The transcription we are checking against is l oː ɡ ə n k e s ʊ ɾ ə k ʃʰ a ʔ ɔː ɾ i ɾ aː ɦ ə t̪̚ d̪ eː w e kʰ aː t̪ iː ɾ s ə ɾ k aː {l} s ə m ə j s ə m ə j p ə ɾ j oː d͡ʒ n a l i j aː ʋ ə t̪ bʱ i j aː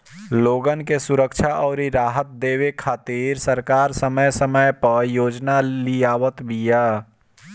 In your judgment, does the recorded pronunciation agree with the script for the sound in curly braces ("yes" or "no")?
no